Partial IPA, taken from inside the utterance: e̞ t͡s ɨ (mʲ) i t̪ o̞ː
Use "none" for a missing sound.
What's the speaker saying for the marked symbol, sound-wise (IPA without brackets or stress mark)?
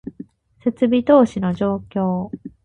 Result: bʲ